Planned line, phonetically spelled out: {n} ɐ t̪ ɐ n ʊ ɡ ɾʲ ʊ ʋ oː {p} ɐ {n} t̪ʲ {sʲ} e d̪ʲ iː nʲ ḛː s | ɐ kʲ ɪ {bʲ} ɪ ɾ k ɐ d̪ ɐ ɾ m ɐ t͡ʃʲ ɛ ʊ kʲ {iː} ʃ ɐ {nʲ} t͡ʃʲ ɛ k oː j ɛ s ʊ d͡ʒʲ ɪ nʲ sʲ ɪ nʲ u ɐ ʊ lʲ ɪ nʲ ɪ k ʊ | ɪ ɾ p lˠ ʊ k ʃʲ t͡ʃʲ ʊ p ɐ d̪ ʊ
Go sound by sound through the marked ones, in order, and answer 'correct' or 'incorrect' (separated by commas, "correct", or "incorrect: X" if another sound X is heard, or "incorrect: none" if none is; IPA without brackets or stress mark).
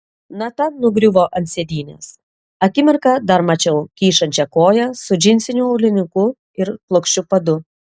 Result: correct, incorrect: ʔ, correct, correct, incorrect: mʲ, correct, correct